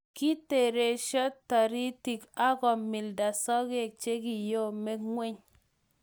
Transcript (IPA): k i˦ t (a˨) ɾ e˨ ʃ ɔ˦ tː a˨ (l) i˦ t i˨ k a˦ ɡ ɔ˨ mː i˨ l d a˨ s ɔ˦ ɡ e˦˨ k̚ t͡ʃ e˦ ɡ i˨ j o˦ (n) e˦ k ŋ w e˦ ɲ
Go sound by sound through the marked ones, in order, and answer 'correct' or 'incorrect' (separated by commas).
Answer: incorrect, incorrect, incorrect